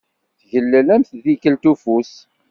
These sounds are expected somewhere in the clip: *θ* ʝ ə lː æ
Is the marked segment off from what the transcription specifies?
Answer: no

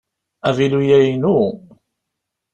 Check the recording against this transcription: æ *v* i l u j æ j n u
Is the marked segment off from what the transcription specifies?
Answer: no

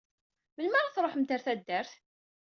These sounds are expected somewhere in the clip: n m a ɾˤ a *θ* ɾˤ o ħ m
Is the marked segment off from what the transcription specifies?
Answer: no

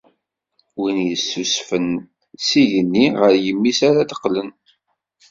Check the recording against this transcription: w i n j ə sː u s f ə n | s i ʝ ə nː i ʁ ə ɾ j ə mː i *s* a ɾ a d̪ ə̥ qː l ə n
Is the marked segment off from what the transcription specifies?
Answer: no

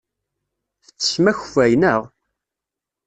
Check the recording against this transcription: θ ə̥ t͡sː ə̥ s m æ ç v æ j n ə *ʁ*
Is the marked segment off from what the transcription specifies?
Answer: no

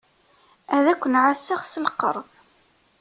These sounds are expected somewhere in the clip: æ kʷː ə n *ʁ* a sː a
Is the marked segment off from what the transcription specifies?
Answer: yes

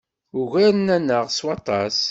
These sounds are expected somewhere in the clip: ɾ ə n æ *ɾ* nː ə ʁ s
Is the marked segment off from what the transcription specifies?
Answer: yes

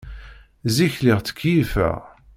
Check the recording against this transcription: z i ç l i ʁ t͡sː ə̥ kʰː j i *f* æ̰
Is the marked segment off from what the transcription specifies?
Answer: no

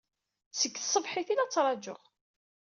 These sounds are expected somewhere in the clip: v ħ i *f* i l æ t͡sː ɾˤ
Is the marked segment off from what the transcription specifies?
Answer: yes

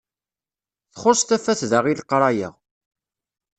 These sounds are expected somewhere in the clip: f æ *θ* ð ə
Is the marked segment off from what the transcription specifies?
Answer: no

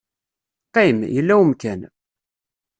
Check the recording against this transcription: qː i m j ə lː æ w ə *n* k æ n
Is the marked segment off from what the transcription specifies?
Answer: yes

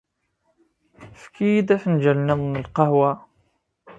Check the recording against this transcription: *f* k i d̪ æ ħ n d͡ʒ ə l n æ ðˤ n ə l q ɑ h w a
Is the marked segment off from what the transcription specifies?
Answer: no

